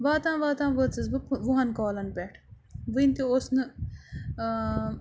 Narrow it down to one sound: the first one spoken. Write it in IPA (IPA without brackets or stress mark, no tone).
ʋ